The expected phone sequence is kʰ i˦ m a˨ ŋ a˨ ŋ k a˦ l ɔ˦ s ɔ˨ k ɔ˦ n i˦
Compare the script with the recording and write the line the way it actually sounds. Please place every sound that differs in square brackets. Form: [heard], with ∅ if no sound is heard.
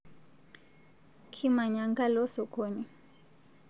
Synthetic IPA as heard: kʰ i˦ m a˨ [ɲ] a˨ ŋ [ɡ] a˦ l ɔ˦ s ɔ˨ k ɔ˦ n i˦

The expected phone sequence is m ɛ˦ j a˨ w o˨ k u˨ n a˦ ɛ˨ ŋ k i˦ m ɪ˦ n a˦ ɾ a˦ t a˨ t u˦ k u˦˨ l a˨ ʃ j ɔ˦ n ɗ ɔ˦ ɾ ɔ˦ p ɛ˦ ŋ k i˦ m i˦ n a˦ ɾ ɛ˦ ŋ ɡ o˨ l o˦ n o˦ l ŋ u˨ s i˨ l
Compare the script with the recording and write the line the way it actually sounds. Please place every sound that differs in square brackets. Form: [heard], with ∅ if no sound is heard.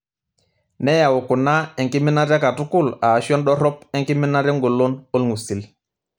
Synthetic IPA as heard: [n] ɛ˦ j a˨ w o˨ k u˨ n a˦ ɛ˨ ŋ k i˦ m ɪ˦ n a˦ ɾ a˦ [k] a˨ t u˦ k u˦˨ l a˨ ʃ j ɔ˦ n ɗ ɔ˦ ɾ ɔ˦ p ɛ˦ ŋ k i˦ m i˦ n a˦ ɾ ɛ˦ ŋ ɡ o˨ l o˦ n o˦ l ŋ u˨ s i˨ l

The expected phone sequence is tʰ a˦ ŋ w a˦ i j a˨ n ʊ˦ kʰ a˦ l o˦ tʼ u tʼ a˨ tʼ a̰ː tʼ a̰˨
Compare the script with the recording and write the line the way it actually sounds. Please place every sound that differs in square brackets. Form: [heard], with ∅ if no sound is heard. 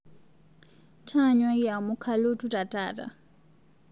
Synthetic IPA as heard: tʰ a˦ [ɲ] w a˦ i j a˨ [m] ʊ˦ kʰ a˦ l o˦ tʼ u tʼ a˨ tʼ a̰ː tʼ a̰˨

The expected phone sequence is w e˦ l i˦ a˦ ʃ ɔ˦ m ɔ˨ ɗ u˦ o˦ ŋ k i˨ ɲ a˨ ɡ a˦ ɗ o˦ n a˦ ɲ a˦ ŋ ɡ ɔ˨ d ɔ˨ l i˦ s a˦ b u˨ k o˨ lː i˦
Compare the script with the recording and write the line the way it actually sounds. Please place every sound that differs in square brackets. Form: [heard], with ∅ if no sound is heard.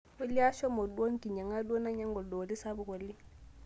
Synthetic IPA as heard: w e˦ l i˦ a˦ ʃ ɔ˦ m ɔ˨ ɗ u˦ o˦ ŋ k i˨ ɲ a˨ [ŋ] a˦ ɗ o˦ n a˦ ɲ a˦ ŋ ɡ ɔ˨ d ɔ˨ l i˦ s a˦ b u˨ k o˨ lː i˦

